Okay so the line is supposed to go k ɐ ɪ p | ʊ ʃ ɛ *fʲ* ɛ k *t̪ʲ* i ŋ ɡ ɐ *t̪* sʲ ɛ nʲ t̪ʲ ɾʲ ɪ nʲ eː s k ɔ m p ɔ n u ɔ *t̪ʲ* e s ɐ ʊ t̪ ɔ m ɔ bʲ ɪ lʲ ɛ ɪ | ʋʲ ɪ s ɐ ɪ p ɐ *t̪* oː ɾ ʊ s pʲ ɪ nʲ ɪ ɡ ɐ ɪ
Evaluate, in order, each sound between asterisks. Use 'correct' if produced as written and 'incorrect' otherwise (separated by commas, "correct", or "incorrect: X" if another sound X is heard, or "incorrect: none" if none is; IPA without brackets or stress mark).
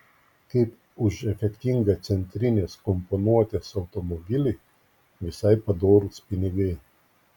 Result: correct, correct, correct, correct, incorrect: d̪